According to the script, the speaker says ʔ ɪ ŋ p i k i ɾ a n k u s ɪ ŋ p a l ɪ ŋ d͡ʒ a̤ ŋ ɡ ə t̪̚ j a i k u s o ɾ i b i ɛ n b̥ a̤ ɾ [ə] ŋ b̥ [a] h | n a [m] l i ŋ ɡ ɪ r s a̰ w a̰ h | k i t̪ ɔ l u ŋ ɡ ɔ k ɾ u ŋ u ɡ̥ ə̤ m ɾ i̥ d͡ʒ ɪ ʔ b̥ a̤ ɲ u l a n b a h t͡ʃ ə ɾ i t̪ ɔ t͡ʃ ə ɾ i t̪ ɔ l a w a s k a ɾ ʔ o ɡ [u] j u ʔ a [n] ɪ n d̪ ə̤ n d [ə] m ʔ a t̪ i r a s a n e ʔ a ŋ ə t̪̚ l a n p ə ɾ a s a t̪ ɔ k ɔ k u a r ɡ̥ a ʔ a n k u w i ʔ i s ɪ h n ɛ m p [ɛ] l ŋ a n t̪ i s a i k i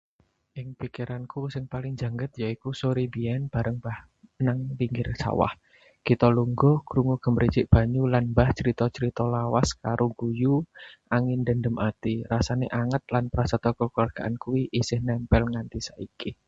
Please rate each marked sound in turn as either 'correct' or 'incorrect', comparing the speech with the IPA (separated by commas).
correct, correct, incorrect, correct, incorrect, correct, correct